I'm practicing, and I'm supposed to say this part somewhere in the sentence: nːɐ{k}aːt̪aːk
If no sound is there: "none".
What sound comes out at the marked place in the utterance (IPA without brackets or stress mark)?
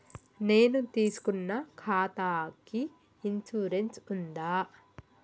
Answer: kʰ